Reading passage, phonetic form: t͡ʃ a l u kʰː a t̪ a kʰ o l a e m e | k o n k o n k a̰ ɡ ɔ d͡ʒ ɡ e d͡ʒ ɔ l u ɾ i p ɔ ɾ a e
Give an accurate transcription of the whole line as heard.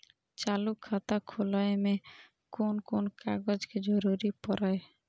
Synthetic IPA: t͡ʃ a l u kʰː a t̪ a kʰ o l a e m e | k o n k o n k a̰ ɡ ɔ d͡ʒ k e d͡ʒ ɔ ɾ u ɾ i p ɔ ɾ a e